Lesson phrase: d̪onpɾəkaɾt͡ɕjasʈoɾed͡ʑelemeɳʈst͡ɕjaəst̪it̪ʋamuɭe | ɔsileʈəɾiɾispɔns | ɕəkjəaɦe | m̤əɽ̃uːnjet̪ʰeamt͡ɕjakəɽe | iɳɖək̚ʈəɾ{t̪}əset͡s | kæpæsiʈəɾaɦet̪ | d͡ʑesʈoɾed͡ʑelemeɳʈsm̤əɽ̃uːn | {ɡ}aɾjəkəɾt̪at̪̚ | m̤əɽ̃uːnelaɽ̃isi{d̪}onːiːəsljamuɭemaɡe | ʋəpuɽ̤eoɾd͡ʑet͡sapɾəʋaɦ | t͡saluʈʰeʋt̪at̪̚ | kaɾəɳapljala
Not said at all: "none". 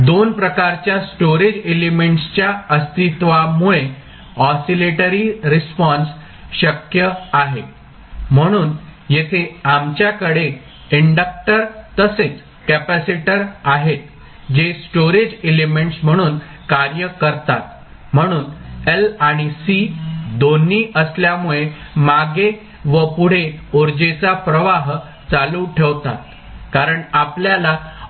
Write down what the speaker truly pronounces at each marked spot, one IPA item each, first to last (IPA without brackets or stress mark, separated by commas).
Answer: t̪, k, d̪